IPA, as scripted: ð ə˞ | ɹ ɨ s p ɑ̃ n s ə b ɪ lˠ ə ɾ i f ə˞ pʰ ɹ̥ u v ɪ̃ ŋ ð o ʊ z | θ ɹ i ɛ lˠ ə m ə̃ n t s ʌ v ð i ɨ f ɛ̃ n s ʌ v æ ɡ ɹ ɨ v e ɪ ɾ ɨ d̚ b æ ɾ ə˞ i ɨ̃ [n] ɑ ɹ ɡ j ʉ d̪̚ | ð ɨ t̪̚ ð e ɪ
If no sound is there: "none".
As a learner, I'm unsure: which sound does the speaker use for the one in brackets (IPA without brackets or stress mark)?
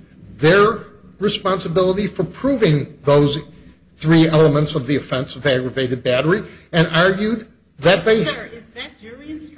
n